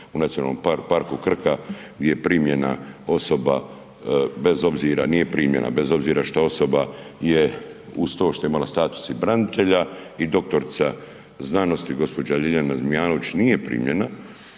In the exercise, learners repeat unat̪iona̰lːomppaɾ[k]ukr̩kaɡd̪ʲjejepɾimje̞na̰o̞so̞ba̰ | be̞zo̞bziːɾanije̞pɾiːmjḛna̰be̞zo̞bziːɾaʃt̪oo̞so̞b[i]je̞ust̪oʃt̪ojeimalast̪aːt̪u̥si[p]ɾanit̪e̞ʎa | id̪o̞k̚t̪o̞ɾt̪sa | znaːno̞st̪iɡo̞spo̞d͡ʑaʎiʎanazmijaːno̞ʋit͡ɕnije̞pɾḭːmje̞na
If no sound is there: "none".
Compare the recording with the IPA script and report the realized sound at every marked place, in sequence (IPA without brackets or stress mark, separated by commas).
k, a, b